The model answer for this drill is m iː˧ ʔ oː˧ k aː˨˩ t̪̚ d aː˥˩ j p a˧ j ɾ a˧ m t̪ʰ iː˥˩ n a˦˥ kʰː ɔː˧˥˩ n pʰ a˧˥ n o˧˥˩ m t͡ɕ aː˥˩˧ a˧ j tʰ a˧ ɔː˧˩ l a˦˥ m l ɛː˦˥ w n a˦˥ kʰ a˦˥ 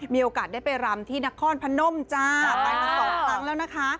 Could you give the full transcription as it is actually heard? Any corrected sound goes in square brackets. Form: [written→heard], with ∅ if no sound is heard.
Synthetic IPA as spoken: m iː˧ ʔ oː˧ k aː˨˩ t̪̚ d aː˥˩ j p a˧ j ɾ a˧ m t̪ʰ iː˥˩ n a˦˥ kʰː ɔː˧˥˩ n pʰ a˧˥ n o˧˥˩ m t͡ɕ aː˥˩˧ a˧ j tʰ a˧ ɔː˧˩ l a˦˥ [m→ŋ] l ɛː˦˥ w n a˦˥ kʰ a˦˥